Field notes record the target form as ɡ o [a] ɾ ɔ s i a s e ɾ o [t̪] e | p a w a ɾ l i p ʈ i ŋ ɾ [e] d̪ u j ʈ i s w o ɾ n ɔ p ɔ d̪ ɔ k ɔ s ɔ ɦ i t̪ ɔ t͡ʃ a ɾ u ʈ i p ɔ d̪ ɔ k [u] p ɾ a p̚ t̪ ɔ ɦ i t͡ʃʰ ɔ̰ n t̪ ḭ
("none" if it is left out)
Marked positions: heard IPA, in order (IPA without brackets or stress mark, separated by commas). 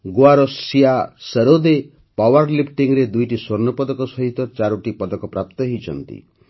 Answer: a, d̪, e, ɔ